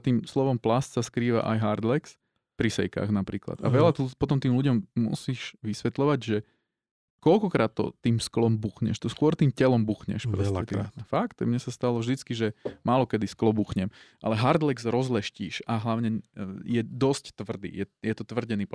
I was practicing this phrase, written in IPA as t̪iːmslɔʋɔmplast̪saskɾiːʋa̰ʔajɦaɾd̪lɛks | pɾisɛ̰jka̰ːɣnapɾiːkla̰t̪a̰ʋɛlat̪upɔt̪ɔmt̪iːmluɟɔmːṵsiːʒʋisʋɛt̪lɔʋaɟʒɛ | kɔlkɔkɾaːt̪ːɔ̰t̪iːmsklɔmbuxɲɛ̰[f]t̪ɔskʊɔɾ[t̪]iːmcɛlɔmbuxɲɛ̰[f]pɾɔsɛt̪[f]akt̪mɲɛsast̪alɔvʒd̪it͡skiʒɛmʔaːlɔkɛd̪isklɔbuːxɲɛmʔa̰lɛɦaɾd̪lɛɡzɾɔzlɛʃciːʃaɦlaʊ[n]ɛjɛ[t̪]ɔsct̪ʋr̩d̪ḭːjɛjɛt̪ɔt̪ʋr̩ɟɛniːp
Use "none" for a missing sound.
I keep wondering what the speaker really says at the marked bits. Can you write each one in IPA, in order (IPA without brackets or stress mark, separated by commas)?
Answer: ʃ, t̪, ʃ, f, ɲ, d̪